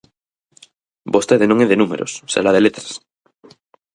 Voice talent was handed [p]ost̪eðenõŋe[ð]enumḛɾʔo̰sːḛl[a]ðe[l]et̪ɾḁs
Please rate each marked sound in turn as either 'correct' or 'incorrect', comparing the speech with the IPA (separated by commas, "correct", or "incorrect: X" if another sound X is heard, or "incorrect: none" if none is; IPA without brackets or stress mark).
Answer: incorrect: b, correct, correct, correct